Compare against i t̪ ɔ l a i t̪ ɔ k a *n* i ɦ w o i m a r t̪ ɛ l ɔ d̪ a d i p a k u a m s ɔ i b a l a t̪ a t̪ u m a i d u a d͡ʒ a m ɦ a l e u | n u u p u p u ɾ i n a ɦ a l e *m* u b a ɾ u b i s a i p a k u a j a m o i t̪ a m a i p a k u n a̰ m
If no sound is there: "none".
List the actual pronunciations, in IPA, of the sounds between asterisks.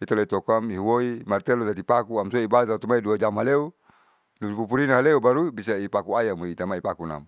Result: m, none

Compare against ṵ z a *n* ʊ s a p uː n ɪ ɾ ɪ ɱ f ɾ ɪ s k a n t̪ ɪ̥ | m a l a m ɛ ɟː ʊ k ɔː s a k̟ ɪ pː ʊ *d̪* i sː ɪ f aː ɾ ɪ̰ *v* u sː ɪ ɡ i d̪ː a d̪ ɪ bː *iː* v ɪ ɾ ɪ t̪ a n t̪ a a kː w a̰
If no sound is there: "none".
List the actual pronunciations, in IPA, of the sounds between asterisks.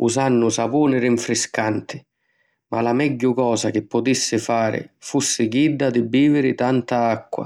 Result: nː, t̪, f, iː

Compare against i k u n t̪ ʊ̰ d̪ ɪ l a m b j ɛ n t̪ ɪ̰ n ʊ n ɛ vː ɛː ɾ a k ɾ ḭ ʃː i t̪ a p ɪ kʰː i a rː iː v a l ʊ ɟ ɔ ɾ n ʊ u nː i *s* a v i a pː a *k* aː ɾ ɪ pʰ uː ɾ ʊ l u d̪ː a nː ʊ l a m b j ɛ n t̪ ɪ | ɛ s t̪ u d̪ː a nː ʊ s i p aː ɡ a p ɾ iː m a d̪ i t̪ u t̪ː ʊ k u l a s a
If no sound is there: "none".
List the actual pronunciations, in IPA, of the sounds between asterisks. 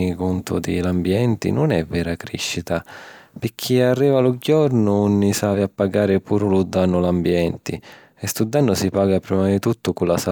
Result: s, ɡ

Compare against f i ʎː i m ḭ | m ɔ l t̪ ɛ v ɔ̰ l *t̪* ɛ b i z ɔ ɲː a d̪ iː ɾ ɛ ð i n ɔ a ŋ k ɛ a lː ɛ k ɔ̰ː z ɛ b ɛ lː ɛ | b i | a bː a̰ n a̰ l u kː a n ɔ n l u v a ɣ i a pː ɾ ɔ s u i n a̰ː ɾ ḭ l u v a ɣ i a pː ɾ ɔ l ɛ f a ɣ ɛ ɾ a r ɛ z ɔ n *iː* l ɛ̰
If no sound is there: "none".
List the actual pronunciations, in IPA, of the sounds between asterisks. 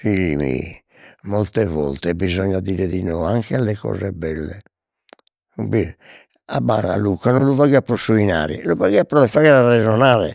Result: t̪, aː

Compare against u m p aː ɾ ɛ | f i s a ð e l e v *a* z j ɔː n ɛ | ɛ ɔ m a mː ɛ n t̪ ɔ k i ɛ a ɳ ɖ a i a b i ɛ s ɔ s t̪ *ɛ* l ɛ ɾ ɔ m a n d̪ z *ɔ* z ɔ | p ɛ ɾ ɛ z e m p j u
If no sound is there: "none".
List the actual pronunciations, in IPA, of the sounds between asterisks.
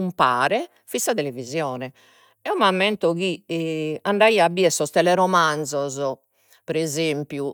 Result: i, ɛ, ɔ

